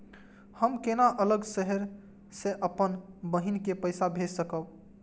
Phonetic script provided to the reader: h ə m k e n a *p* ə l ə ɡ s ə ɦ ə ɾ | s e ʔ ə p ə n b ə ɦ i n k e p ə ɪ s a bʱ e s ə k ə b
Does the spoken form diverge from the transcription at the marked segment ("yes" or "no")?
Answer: yes